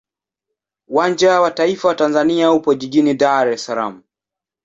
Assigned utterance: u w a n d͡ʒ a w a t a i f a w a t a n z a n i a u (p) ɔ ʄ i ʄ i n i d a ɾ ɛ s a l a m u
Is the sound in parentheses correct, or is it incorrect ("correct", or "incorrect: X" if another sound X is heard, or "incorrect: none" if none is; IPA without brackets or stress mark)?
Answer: correct